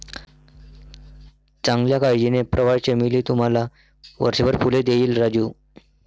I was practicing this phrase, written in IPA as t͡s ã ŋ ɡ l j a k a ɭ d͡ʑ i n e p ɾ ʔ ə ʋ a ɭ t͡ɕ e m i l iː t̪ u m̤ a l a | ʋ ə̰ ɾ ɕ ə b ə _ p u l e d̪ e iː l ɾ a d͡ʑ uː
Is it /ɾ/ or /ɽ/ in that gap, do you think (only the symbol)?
ɾ